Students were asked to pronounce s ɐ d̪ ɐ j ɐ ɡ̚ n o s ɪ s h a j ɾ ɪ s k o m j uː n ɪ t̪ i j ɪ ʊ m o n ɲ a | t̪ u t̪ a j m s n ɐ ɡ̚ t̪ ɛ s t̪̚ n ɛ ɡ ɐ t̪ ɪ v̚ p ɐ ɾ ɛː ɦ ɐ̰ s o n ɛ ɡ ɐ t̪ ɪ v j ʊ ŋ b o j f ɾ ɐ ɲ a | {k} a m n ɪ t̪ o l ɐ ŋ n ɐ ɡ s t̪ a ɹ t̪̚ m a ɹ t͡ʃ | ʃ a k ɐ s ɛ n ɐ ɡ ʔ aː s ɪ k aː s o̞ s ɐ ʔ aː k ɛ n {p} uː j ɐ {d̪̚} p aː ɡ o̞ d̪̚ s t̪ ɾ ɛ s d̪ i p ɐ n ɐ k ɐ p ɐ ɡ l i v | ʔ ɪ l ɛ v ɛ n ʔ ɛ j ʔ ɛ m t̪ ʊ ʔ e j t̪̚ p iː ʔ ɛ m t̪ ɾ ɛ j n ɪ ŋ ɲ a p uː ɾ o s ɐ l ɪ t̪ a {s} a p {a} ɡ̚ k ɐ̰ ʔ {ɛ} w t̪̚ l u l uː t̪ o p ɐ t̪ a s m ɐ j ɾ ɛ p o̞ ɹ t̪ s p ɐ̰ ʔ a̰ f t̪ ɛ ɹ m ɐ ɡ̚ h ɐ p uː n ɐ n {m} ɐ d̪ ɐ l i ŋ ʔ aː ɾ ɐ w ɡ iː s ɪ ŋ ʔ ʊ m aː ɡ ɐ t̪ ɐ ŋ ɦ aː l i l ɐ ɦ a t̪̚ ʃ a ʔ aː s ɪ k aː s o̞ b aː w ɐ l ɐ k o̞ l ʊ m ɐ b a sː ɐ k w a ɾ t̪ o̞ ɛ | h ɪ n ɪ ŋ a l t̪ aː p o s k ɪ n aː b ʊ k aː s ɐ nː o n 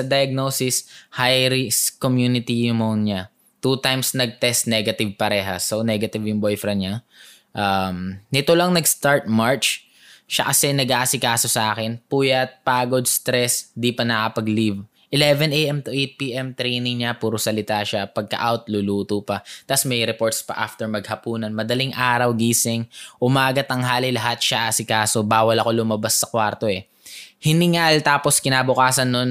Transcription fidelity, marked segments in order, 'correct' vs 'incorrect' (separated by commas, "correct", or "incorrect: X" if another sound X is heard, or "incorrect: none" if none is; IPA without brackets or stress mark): incorrect: ʔ, correct, incorrect: t̪̚, incorrect: ʃ, incorrect: ɐ, incorrect: a, correct